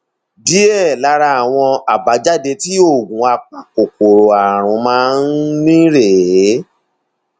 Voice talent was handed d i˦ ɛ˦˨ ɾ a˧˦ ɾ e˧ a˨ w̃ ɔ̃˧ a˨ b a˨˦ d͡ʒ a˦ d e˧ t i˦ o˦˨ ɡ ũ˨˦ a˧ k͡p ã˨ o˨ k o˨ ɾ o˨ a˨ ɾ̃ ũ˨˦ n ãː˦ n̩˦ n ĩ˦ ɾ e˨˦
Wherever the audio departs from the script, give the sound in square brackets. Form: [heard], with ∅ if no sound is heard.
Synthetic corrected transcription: d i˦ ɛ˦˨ [l] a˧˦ ɾ [a˧] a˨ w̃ ɔ̃˧ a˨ b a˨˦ d͡ʒ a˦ d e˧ t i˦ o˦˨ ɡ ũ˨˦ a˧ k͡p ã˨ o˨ k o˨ ɾ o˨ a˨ ɾ̃ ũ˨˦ [m] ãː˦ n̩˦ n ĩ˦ ɾ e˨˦